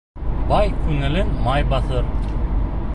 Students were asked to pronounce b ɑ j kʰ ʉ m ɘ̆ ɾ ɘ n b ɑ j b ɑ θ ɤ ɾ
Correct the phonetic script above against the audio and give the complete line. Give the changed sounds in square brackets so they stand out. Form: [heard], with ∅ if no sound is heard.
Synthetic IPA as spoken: b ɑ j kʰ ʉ [ŋ] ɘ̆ [l] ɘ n [m] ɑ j b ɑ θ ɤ ɾ